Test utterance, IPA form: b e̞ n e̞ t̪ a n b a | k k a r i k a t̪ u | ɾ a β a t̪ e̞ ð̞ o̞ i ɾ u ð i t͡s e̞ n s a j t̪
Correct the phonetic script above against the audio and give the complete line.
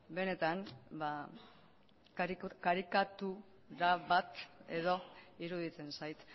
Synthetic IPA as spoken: b e̞ n e̞ t̪ a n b a | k k a ɾ i k a t̪ u | ɾ a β a t̪ e̞ ð̞ o̞ i ɾ u ð i t͡s e̞ n s a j t̪